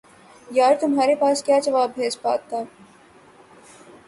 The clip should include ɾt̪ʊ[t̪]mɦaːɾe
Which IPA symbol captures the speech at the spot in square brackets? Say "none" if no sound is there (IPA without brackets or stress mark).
none